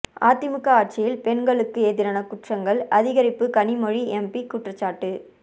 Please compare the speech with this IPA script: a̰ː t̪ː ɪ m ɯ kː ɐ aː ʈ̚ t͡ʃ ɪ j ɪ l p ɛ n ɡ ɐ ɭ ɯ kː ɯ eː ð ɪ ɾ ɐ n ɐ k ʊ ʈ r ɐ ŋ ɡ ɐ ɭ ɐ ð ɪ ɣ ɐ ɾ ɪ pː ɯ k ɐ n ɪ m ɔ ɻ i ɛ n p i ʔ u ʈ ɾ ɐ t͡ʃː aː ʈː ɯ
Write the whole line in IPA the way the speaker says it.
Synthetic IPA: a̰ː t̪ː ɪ m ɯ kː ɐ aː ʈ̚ t͡ʃ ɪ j ɪ l p ɛ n ɡ ɐ ɭ ɯ kː ɯ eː ð ɪ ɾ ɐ n ɐ k ʊ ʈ r ɐ ŋ ɡ ɐ ɭ ɐ ð ɪ ɣ ɐ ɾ ɪ pː ɯ k ɐ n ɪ m ɔ ɻ i ɛ m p i k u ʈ r ɐ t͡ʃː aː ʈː ɯ

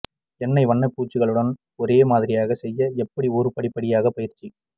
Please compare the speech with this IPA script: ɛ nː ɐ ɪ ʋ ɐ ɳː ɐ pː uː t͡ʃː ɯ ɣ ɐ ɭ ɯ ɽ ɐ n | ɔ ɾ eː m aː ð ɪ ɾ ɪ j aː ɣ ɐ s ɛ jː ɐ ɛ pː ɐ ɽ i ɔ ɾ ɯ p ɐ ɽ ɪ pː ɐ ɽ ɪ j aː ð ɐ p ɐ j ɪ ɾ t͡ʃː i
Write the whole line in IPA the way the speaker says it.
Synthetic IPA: ɛ nː ɐ ɪ ʋ ɐ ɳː ɐ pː uː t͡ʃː ɯ ɣ ɐ ɭ ɯ ɽ ɐ n | ɔ ɾ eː m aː ð ɪ ɾ ɪ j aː ɣ ɐ s ɛ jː ɐ ɛ pː ɐ ɽ i ɔ ɾ ɯ p ɐ ɽ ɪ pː ɐ ɽ ɪ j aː ɣ ɐ p ɐ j ɪ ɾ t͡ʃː i

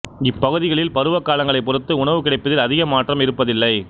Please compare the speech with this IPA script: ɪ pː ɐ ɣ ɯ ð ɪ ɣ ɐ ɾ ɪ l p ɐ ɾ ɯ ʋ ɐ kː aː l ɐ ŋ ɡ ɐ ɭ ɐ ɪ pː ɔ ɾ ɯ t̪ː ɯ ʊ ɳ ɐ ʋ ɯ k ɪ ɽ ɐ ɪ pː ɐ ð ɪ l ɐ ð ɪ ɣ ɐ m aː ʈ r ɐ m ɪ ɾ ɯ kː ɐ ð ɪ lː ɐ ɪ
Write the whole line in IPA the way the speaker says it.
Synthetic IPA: ɪ pː ɐ ɣ ɯ ð ɪ ɣ ɐ ɭ ɪ l p ɐ ɾ ɯ ʋ ɐ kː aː l ɐ ŋ ɡ ɐ ɭ ɐ ɪ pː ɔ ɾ ɯ t̪ː ɯ ʊ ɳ ɐ ʋ ɯ k ɪ ɽ ɐ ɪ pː ɐ ð ɪ l ɐ ð ɪ ɣ ɐ m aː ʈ r ɐ m ɪ ɾ ɯ pː ɐ ð ɪ lː ɐ ɪ

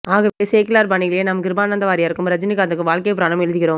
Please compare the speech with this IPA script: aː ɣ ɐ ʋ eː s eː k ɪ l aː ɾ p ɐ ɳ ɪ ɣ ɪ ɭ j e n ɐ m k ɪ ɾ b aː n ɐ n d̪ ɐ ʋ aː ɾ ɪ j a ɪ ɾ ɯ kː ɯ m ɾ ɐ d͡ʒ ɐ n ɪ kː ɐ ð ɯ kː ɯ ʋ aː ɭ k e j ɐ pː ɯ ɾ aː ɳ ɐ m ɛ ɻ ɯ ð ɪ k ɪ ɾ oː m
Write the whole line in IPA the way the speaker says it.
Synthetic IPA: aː ɣ ɐ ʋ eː s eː k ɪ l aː ɾ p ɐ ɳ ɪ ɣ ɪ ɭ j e n ɐ m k ɪ ɾ b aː n ɐ n d̪ ɐ ʋ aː ɾ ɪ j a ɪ ɾ ɯ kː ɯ m ɾ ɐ d͡ʒ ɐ n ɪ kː ɐ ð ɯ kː ɯ ʋ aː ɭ k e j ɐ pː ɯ ɾ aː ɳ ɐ m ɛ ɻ ɯ ð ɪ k ɪ ɾ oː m

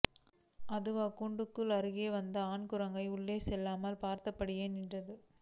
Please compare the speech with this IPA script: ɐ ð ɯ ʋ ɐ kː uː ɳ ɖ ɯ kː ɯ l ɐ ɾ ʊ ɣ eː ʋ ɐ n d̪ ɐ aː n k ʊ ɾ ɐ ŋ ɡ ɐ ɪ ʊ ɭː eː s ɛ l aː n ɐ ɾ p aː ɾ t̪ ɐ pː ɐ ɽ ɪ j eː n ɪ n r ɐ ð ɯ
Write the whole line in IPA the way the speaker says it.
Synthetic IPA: ɐ ð ɯ ʋ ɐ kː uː ɳ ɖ ɯ kː ɯ l ɐ ɾ ɯ ɣ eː ʋ ɐ n d̪ ɐ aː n k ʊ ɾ ɐ ŋ ɡ ɐ ɪ ʊ ɭː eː s ɛ lː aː m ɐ l p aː ɾ t̪ ɐ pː ɐ ɽ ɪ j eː n ɪ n r ɐ ð ɯ

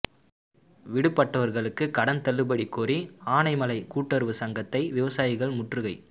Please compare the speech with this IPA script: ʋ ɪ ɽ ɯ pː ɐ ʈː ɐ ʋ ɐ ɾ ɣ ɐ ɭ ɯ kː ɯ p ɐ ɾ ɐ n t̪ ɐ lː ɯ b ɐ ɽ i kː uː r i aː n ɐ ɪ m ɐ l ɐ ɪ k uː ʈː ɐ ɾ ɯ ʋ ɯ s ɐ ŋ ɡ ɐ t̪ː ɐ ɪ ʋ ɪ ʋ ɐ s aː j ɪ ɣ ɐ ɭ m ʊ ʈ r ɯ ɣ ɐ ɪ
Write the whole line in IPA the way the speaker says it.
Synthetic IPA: ʋ ɪ ɽ ɯ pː ɐ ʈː ɐ ʋ ɐ ɾ ɣ ɐ ɭ ɯ kː ɯ k ɐ ɽ ɐ n t̪ ɐ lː ɯ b ɐ ɽ i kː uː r i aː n ɐ ɪ m ɐ l ɐ ɪ k uː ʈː ɐ ɾ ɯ ʋ ɯ s ɐ ŋ ɡ ɐ t̪ː ɐ ɪ ʋ ɪ ʋ ɐ s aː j ɪ ɣ ɐ ɭ m ʊ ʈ r ɯ ɣ ɐ ɪ

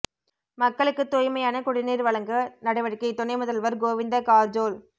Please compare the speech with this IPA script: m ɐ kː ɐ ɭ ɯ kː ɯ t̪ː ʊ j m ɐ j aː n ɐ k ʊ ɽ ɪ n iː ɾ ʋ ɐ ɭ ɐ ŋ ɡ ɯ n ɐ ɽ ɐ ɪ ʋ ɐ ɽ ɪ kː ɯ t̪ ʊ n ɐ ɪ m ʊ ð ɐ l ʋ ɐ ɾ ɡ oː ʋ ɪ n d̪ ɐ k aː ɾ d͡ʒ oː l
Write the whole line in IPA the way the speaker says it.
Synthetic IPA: m ɐ kː ɐ ɭ ɯ kː ɯ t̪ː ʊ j m ɐ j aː n ɐ k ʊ ɽ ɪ n iː ɾ ʋ ɐ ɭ ɐ ŋ ɡ ɯ n ɐ ɽ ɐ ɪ ʋ ɐ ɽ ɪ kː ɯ t̪ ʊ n ɐ ɪ m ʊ ð ɐ l ʋ ɐ ɾ ɡ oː ʋ ɪ n d̪ ɐ k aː ɾ d͡ʒ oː l

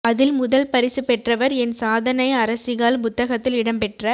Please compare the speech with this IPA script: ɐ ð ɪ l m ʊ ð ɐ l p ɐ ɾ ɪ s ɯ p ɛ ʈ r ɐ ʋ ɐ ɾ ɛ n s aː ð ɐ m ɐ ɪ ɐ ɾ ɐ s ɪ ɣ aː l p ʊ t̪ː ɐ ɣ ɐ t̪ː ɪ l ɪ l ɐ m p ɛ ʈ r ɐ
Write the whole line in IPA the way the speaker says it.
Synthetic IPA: ɐ ð ɪ l m ʊ ð ɐ l p ɐ ɾ ɪ s ɯ p ɛ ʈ r ɐ ʋ ɐ ɾ ɛ n s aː ð ɐ n ɐ ɪ ɐ ɾ ɐ s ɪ ɣ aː l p ʊ t̪ː ɐ ɣ ɐ t̪ː ɪ l ɪ ɽ ɐ m p ɛ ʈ r ɐ

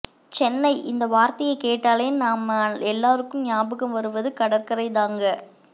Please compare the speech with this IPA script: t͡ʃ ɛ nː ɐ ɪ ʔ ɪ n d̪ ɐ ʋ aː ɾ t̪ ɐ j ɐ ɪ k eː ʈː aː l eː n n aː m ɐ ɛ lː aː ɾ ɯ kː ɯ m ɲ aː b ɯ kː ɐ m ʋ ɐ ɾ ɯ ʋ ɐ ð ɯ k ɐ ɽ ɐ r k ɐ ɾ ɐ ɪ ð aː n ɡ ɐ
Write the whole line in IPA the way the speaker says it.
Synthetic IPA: t͡ʃ ɛ nː ɐ ɪ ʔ ɪ n d̪ ɐ ʋ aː ɾ t̪ ɐ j ɐ ɪ k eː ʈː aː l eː n n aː m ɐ ɛ lː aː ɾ ɯ kː ɯ m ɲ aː b ɯ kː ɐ m ʋ ɐ ɾ ɯ ʋ ɐ ð ɯ k ɐ ɽ ɐ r k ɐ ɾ ɐ ɪ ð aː ŋ ɡ ɐ

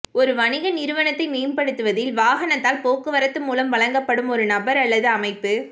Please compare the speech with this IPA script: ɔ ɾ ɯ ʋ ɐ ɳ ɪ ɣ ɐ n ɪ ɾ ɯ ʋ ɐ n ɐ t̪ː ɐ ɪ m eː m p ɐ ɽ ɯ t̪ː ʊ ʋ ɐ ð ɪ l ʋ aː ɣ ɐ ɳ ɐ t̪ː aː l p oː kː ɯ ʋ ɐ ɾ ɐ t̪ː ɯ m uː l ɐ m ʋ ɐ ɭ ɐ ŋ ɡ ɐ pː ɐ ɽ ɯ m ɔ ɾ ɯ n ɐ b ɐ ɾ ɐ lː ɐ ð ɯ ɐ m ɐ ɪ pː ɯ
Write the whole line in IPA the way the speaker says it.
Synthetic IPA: ɔ ɾ ɯ ʋ ɐ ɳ ɪ ɣ ɐ n ɪ ɾ ɯ ʋ ɐ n ɐ t̪ː ɐ ɪ m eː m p ɐ ɽ ɯ t̪ː ɯ ʋ ɐ ð ɪ l ʋ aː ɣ ɐ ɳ ɐ t̪ː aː l p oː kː ɯ ʋ ɐ ɾ ɐ t̪ː ɯ m uː l ɐ m ʋ ɐ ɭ ɐ ŋ ɡ ɐ pː ɐ ɽ ɯ m ɔ ɾ ɯ n ɐ b ɐ ɾ ɐ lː ɐ ð ɯ ɐ m ɐ ɪ pː ɯ

